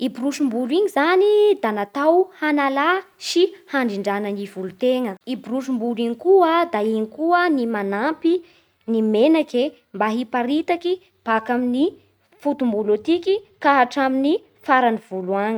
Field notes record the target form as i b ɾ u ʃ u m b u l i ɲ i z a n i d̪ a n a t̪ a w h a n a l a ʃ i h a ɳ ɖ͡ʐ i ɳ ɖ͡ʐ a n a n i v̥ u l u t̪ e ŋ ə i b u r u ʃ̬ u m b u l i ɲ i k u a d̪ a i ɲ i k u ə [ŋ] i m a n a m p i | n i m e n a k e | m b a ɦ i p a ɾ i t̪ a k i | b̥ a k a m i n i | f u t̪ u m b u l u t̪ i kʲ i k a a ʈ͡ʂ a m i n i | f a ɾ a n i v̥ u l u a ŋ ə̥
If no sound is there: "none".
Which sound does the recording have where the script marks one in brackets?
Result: n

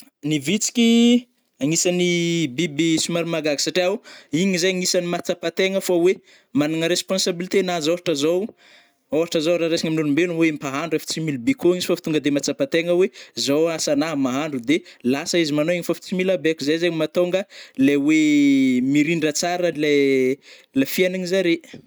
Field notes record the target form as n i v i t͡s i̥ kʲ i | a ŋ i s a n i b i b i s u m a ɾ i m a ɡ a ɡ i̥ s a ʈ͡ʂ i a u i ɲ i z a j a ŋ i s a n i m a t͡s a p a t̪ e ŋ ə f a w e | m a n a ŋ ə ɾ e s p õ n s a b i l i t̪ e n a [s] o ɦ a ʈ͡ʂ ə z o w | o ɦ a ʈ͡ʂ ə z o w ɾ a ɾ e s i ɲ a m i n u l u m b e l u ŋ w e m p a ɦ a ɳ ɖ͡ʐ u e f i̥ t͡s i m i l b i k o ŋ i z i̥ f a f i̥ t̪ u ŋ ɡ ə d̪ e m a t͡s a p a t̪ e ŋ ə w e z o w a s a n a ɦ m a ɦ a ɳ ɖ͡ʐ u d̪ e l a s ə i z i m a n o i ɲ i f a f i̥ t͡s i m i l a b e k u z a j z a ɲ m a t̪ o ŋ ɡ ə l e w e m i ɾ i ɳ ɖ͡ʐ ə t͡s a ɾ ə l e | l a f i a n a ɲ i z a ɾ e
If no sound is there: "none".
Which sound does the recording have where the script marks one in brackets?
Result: z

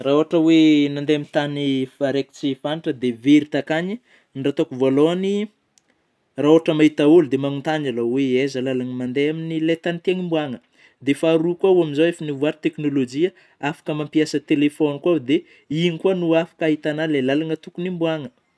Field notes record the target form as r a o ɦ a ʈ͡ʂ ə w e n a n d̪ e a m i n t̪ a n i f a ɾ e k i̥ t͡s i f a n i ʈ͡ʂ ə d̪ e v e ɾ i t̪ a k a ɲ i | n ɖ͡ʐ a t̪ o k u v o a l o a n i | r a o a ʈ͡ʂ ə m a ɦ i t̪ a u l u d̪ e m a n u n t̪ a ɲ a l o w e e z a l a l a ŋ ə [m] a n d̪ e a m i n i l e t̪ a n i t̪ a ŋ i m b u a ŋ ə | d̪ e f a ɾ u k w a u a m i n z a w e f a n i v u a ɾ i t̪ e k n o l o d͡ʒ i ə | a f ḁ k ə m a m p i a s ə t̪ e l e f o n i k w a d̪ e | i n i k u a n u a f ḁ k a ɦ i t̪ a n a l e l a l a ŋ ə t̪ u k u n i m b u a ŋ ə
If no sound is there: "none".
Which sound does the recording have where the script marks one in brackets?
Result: m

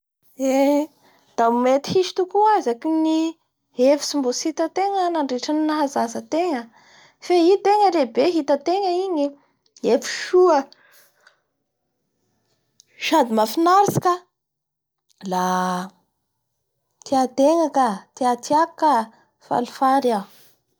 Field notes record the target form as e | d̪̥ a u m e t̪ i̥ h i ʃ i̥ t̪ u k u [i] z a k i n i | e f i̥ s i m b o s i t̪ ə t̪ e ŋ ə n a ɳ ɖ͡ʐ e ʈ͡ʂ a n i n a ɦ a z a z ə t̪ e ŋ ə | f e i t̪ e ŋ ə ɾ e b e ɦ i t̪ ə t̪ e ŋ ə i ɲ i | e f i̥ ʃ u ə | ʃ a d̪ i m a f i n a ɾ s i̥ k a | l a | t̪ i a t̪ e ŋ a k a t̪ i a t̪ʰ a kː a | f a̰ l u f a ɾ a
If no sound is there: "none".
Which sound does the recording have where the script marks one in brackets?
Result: a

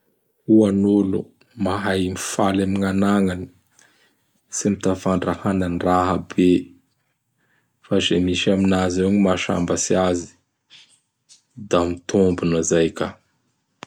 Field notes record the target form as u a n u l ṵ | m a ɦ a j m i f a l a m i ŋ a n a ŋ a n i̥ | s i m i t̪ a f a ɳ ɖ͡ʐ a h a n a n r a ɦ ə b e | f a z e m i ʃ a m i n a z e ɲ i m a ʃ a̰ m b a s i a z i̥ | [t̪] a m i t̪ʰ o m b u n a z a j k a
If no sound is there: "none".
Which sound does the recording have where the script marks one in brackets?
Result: d̪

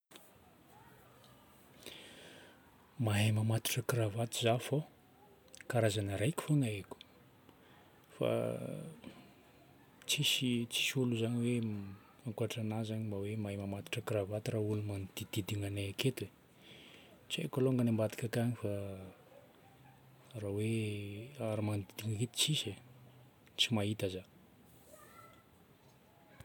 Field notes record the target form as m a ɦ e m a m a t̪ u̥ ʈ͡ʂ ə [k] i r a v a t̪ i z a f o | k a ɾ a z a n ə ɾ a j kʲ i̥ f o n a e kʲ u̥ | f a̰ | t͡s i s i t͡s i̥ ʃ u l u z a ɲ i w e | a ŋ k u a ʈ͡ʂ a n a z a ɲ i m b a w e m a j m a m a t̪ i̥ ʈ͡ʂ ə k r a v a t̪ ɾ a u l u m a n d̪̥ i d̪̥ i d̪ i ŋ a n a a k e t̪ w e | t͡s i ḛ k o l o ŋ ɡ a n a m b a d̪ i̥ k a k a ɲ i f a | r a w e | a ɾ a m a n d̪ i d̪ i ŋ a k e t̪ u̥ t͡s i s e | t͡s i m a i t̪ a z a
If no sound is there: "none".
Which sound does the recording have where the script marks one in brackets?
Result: k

